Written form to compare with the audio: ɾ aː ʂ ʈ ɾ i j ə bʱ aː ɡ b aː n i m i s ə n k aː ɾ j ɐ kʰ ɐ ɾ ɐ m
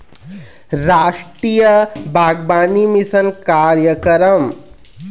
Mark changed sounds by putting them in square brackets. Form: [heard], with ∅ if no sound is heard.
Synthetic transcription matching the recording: ɾ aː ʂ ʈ ɾ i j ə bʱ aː ɡ b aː n i m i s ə n k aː ɾ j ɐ [k] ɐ ɾ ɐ m